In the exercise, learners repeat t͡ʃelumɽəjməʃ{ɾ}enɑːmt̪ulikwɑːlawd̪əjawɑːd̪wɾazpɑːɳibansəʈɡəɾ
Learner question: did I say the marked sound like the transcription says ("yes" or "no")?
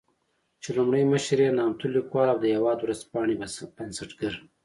yes